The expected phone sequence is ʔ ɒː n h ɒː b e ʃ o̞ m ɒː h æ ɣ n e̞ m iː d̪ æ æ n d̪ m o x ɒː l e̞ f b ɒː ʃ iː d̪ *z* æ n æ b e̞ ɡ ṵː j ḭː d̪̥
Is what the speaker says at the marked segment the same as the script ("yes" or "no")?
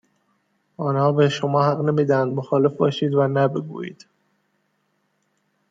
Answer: no